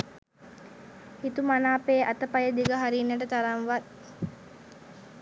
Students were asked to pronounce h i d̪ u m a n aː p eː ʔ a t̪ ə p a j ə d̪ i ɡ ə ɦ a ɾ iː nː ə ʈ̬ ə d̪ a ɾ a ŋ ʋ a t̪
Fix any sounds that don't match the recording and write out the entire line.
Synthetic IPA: h i t̪ u m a n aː p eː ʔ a t̪ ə p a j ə d̪ i ɡ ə ɦ a ɾ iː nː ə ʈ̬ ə t̪ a ɾ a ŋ ʋ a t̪